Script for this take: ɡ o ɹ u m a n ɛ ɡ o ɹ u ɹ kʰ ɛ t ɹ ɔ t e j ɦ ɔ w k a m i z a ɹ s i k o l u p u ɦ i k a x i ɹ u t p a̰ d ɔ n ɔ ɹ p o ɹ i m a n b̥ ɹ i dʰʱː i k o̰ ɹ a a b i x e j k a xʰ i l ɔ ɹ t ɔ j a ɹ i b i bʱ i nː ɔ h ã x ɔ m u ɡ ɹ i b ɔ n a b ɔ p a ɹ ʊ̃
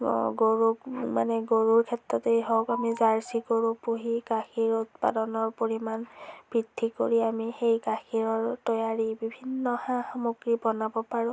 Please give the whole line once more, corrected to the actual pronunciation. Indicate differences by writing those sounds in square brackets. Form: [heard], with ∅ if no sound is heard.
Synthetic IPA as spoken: ɡ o ɹ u m a n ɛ ɡ o ɹ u ɹ kʰ ɛ t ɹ ɔ t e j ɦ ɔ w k a m i z a ɹ s i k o [ɹ] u p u ɦ i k a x i ɹ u t p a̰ d ɔ n ɔ ɹ p o ɹ i m a n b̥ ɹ i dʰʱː i k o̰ ɹ [i] a [m] i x e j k a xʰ i [ɹ] ɔ ɹ t ɔ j a ɹ i b i bʱ i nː ɔ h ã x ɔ m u ɡ ɹ i b ɔ n a b ɔ p a ɹ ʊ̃

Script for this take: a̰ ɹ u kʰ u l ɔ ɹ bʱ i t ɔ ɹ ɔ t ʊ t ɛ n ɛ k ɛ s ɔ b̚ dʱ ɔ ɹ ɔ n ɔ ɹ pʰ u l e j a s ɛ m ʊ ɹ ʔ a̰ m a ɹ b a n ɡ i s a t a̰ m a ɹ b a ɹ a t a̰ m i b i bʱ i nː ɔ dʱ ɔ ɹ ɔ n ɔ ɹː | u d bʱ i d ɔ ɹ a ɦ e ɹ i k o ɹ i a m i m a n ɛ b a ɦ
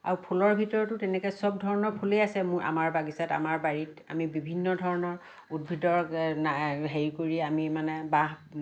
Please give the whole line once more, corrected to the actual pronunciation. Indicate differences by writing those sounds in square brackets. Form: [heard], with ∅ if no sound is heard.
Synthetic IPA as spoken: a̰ ɹ u [pʰ] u l ɔ ɹ bʱ i t ɔ ɹ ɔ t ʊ t ɛ n ɛ k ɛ s ɔ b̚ dʱ ɔ ɹ ɔ n ɔ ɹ pʰ u l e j a s ɛ m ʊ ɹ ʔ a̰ m a ɹ b a [∅] ɡ i s a t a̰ m a ɹ b a ɹ [i] t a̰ m i b i bʱ i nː ɔ dʱ ɔ ɹ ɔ n ɔ [ɹ] | u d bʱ i d ɔ ɹ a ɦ e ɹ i k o ɹ i a m i m a n ɛ b a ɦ

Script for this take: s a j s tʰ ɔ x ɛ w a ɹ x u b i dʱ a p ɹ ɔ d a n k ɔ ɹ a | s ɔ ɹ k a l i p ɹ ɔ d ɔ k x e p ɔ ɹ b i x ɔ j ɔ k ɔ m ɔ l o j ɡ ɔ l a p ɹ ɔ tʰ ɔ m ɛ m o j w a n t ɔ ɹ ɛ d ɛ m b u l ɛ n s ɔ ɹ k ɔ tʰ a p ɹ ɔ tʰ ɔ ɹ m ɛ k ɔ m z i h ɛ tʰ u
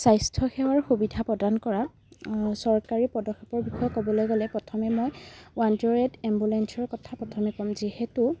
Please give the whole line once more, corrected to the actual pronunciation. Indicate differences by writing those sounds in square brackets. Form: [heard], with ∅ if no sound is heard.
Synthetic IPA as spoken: s a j s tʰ ɔ x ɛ w a ɹ x u b i dʱ a p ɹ ɔ d a n k ɔ ɹ a | s ɔ ɹ k a [ɹ] i p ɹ ɔ d ɔ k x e p ɔ ɹ b i x ɔ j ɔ k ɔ [b] ɔ l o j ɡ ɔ l [ɛ] p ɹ ɔ tʰ ɔ m ɛ m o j w a n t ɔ ɹ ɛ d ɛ m b u l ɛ n s ɔ ɹ k ɔ tʰ a p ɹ ɔ tʰ ɔ [∅] m ɛ k ɔ m z i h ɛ [t] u

